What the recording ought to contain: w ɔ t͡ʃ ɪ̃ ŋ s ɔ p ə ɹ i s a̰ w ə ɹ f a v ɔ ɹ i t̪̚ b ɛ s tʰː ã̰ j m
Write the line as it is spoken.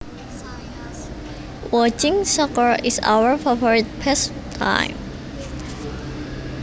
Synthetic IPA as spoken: w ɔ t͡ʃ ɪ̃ ŋ s ɔ k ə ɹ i s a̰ w ə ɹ f a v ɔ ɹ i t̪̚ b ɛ s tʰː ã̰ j m